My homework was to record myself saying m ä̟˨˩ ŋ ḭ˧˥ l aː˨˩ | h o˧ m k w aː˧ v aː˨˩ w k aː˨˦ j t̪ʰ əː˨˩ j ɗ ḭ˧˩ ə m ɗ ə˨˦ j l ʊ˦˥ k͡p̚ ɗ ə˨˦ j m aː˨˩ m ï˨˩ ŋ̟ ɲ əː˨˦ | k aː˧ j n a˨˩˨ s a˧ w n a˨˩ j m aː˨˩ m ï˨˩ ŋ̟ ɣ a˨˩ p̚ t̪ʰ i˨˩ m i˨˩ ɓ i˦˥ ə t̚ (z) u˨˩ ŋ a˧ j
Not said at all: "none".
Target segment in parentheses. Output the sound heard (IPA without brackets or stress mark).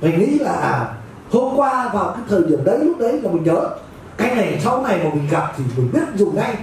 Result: z